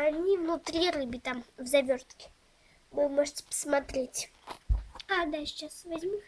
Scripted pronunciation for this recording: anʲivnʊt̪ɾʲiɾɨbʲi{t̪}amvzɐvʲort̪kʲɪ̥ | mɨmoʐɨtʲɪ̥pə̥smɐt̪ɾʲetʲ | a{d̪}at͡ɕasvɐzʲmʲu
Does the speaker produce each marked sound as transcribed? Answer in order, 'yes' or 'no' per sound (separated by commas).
yes, yes